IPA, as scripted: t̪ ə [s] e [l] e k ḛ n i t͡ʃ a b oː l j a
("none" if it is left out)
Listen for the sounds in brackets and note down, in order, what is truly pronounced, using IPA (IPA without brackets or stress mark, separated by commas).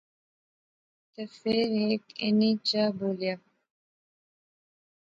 f, ɾ